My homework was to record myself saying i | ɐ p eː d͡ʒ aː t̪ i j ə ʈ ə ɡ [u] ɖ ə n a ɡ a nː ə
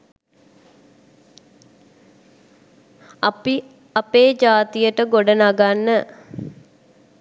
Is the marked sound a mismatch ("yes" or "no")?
yes